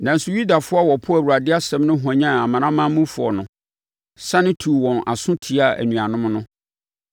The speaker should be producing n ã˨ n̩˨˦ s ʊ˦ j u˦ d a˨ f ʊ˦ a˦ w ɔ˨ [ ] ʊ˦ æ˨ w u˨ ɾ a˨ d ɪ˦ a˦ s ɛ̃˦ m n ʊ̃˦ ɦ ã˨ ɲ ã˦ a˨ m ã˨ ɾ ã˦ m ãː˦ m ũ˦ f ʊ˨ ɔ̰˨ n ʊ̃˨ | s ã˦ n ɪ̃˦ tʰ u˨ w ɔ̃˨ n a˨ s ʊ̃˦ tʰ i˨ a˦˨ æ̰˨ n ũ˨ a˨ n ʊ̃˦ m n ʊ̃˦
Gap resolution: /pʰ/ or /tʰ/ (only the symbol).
pʰ